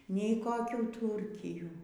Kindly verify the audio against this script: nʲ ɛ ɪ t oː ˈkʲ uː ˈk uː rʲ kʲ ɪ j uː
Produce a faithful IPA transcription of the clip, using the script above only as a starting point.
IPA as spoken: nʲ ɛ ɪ k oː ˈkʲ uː ˈt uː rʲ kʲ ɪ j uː